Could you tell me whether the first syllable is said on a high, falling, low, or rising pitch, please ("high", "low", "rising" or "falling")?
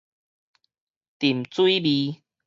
low